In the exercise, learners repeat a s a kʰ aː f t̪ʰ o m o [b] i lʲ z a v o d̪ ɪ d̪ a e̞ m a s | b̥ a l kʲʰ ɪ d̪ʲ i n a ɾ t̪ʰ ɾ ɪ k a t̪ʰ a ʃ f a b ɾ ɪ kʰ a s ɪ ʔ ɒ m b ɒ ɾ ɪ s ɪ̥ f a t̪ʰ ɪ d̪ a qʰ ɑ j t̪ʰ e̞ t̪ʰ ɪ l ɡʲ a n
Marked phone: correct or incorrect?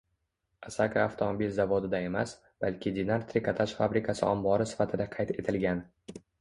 correct